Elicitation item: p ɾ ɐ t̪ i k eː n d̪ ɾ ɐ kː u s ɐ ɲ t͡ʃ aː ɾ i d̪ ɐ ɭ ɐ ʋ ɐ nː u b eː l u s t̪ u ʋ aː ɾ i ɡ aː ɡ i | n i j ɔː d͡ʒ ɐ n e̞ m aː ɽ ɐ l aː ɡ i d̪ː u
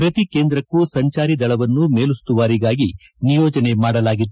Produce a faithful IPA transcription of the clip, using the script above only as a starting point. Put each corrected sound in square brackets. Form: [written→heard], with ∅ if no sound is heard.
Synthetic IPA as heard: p ɾ ɐ t̪ i k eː n d̪ ɾ ɐ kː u s ɐ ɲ t͡ʃ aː ɾ i d̪ ɐ ɭ ɐ ʋ ɐ nː u [b→m] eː l u s t̪ u ʋ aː ɾ i ɡ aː ɡ i | n i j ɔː d͡ʒ ɐ n e̞ m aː ɽ ɐ l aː ɡ i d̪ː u